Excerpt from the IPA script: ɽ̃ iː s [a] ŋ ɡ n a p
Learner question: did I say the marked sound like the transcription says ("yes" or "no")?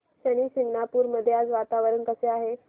no